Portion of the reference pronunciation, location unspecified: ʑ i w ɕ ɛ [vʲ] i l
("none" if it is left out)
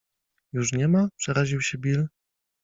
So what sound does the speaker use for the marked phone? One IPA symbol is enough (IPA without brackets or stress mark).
bʲ